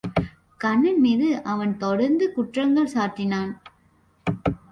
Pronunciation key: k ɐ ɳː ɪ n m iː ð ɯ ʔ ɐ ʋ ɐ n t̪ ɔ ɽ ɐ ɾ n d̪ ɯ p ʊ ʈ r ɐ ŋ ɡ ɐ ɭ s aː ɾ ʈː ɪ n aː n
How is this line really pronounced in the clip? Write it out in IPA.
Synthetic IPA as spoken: k ɐ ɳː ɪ n m iː ð ɯ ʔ ɐ ʋ ɐ n t̪ ɔ ɽ ɐ ɾ n d̪ ɯ k ʊ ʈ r ɐ ŋ ɡ ɐ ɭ s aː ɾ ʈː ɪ n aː n